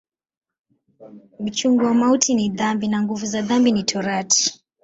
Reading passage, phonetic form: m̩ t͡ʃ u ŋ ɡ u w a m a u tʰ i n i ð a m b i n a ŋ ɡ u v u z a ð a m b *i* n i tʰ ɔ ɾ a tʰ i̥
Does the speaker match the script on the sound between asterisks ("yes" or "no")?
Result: yes